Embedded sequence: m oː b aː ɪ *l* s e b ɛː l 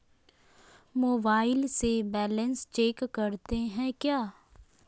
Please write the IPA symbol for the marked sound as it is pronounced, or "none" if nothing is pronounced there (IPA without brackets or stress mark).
l